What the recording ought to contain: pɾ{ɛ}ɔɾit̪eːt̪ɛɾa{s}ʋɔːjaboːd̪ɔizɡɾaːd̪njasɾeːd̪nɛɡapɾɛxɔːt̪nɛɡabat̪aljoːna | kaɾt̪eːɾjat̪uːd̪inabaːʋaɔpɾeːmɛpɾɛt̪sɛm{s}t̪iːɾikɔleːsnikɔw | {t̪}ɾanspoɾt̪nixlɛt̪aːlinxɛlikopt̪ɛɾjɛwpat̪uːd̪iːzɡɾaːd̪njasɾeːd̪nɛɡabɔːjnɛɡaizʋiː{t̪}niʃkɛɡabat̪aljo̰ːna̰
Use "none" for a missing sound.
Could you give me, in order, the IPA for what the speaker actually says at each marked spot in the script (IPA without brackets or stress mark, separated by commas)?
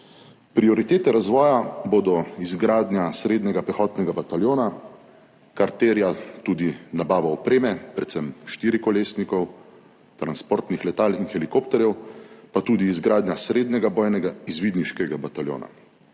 i, z, ʃ, t̪, d̪